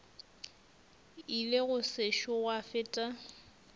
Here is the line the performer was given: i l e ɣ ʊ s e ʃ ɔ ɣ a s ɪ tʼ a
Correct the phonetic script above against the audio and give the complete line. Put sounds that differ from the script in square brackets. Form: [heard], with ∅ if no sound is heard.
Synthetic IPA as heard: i l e ɣ ʊ s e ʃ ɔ [w] a [f] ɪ tʼ a